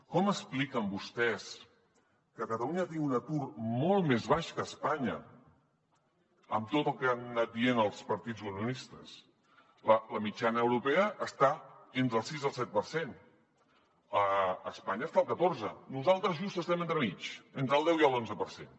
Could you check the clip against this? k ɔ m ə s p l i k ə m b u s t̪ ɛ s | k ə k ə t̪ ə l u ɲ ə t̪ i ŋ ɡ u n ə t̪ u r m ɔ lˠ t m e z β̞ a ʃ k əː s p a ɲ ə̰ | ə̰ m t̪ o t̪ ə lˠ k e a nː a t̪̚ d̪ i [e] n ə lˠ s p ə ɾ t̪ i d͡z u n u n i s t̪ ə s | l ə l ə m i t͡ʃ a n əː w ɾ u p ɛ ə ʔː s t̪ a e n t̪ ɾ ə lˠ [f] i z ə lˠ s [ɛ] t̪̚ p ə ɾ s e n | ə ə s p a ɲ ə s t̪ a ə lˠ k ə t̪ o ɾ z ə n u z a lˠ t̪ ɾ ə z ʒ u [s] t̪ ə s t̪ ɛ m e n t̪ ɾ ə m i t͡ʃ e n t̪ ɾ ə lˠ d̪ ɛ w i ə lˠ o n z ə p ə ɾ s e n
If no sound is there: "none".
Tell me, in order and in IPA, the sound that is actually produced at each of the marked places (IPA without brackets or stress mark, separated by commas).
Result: e, s, ɛ, s